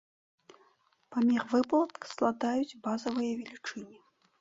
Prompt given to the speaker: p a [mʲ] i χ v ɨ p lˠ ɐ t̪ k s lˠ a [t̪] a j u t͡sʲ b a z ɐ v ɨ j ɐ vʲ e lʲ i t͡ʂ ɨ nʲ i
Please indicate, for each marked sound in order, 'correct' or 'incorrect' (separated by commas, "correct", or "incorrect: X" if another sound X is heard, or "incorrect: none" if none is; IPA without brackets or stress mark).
correct, incorrect: d̪